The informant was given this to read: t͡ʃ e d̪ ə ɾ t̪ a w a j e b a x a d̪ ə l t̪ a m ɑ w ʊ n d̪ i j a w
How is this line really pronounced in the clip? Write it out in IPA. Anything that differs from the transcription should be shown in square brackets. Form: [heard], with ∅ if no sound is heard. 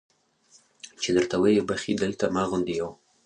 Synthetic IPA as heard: t͡ʃ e d̪ ə ɾ t̪ a w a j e b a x [i] d̪ ə l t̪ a m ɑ [ɣ] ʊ n d̪ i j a w